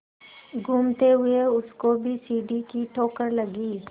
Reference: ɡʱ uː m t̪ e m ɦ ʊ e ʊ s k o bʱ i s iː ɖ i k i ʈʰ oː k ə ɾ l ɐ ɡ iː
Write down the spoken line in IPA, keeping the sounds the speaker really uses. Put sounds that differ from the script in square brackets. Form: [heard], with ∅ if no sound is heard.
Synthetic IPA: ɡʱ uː m t̪ e [∅] ɦ ʊ e ʊ s k o bʱ i s iː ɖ i k i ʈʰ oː k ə ɾ l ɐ ɡ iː

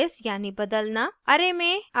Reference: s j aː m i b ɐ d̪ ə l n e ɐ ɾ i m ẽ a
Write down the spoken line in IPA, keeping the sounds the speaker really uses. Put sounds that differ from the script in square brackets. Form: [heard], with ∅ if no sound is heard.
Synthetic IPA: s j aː [n] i b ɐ d̪ ə l n [a] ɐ ɾ [e] m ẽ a

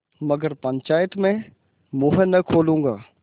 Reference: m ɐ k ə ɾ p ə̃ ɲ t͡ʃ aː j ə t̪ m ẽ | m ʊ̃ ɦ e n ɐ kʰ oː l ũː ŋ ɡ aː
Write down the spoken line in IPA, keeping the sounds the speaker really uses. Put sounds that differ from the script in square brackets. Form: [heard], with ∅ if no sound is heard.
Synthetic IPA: m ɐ [ɡ] ə ɾ p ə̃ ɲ t͡ʃ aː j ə t̪ m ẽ | m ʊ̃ ɦ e n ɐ kʰ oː l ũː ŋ ɡ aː

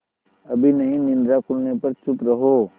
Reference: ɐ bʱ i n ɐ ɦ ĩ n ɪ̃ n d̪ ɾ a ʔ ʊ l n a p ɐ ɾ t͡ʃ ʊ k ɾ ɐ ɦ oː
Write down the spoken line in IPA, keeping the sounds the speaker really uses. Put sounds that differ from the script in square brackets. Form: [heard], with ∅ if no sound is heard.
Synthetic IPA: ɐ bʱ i n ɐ ɦ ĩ n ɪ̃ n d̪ ɾ a [k] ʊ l n [e] p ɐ ɾ t͡ʃ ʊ [p] ɾ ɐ ɦ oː

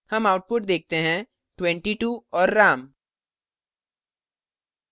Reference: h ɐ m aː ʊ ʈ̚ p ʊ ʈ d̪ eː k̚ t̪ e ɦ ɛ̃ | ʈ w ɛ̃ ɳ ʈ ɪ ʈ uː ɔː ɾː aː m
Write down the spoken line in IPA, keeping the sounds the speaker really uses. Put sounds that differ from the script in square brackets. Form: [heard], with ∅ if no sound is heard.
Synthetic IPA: h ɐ m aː ʊ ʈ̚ p ʊ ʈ d̪ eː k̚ t̪ e ɦ ɛ̃ | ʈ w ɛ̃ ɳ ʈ [i] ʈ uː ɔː ɾː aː m

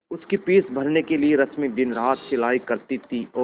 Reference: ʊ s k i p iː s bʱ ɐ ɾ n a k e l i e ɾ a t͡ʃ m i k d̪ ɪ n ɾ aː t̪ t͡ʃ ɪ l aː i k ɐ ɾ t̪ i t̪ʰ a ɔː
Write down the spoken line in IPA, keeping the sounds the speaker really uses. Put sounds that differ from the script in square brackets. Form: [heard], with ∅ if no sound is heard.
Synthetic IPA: ʊ s k i p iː s bʱ ɐ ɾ n [e] k e l i e ɾ [ɐ] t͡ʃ m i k d̪ ɪ n ɾ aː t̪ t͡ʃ ɪ l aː i k ɐ ɾ t̪ i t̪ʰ [i] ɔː

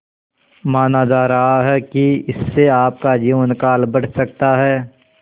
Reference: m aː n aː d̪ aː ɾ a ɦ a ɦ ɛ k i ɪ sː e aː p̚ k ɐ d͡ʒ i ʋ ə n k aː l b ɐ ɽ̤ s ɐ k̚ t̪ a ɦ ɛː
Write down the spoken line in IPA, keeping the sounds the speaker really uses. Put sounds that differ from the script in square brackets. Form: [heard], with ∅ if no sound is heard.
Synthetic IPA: m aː n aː d̪ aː ɾ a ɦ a ɦ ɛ k i ɪ sː e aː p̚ k [a] d͡ʒ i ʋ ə n k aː l b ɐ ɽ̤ s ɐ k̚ t̪ a ɦ ɛː

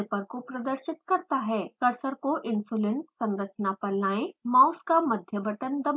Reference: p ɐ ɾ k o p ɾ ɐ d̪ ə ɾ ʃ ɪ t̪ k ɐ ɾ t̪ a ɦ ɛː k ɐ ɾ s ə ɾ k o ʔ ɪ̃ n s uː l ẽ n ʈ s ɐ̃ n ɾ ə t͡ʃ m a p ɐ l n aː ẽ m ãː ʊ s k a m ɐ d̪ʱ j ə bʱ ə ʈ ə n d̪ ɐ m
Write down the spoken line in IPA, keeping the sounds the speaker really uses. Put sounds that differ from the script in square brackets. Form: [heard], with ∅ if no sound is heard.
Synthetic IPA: p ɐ ɾ k o p ɾ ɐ d̪ ə ɾ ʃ ɪ t̪ k ɐ ɾ t̪ a ɦ ɛː k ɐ ɾ s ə ɾ k o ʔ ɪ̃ n s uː l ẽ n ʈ s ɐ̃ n ɾ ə t͡ʃ [n] a p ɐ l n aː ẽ m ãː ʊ s k a m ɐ d̪ʱ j ə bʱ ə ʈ ə n d̪ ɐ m

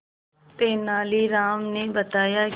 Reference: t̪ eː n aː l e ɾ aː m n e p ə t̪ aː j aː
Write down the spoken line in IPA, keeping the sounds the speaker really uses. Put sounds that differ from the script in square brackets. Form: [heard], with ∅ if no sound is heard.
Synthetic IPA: t̪ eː n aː l [i] ɾ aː m n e [b] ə t̪ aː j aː

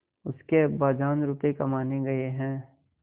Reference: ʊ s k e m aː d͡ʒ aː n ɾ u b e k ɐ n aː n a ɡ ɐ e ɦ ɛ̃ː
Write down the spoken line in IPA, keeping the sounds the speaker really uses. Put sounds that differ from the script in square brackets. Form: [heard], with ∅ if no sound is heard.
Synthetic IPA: ʊ s k e [b] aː d͡ʒ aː n ɾ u [p] e k ɐ [m] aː n [e] ɡ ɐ e ɦ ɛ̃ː

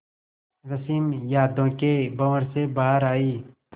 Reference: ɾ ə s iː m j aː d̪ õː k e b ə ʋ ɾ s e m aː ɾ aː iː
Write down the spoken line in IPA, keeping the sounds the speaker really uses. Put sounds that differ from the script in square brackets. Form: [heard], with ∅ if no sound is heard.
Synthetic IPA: ɾ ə s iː m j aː d̪ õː k e b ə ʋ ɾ s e [b] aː ɾ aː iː

